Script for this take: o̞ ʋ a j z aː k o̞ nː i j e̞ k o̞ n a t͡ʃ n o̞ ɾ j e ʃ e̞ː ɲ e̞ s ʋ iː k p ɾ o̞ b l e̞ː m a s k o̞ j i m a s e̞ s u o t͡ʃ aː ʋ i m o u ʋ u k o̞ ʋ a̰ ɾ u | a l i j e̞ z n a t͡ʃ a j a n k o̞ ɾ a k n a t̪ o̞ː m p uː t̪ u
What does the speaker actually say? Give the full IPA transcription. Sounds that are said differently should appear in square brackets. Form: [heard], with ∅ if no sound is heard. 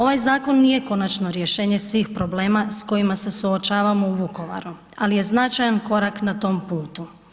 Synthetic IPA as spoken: o̞ ʋ a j z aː k o̞ nː i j e̞ k o̞ n a t͡ʃ n o̞ ɾ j e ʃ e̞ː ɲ e̞ s ʋ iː [x] p ɾ o̞ b l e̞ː m a s k o̞ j i m a s e̞ s u o t͡ʃ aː ʋ [a] m o u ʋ u k o̞ ʋ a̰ ɾ u | a l i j e̞ z n a t͡ʃ a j a n k o̞ ɾ a k n a t̪ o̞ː m p uː t̪ u